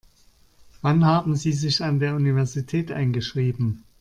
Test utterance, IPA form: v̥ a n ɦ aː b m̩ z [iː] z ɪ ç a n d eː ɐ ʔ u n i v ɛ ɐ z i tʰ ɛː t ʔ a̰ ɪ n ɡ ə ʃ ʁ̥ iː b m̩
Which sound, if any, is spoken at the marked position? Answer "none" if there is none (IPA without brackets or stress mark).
iː